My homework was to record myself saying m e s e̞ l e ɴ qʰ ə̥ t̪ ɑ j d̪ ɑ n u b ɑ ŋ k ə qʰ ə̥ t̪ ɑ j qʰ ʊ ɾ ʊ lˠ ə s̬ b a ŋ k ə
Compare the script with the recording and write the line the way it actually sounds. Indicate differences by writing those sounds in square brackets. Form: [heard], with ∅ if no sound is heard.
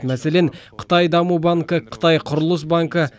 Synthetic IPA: m [æ] s e̞ l e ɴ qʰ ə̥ t̪ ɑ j d̪ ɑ [m] u b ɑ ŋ k ə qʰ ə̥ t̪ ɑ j qʰ ʊ ɾ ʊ lˠ ə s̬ b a ŋ k ə